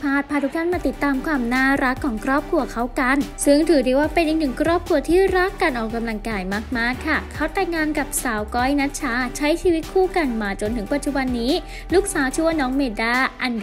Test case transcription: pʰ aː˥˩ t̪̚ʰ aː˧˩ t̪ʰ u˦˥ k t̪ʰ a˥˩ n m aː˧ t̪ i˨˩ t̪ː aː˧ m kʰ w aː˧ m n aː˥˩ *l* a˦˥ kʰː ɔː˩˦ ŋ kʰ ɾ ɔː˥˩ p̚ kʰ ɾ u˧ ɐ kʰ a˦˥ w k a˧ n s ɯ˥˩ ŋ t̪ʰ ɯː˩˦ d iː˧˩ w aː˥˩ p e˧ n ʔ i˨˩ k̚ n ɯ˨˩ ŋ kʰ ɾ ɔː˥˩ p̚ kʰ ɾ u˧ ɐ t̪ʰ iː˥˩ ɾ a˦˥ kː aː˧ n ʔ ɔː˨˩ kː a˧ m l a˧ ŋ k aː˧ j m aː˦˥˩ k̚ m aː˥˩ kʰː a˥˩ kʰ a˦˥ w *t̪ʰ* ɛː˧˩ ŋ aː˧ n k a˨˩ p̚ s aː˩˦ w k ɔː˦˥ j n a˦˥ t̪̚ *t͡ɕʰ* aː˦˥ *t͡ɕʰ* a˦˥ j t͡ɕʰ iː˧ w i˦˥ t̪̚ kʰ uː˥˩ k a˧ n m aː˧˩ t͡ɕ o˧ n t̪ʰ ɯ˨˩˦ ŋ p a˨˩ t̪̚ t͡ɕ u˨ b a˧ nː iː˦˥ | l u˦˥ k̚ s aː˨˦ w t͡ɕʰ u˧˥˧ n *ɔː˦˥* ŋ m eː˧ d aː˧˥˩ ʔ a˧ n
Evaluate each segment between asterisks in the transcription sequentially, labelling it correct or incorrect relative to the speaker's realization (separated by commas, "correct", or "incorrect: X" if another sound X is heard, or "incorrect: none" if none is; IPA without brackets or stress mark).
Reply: incorrect: ɾ, incorrect: t̪, correct, correct, correct